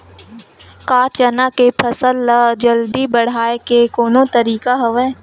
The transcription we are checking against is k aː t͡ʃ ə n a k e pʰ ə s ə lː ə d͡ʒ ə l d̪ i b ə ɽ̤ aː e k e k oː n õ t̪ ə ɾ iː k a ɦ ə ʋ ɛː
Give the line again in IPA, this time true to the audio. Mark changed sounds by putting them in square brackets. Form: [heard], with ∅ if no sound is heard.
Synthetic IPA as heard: k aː t͡ʃ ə n a k e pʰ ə s ə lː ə d͡ʒ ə l d̪ i b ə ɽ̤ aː e k e k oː n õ t̪ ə ɾ iː k a ɦ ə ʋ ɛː